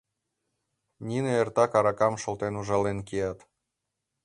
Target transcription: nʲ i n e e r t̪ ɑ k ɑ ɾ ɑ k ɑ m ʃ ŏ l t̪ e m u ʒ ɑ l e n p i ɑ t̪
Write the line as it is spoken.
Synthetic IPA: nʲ i n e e r t̪ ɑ k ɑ ɾ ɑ k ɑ m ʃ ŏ l t̪ e n u ʒ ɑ l e n k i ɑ t̪